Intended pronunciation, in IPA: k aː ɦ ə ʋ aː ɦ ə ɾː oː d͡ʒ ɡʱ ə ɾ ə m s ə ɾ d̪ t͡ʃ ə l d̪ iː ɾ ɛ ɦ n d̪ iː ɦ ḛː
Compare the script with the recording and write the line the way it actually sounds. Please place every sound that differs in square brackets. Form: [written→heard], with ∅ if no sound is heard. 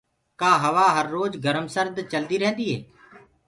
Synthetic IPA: k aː ɦ ə ʋ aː ɦ ə ɾː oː d͡ʒ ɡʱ ə ɾ ə m s ə ɾ d̪ t͡ʃ ə l d̪ iː ɾ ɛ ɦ n d̪ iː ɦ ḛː